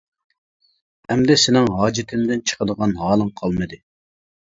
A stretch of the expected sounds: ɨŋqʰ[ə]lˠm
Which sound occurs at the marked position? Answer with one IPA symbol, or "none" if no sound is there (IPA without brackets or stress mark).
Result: ɑ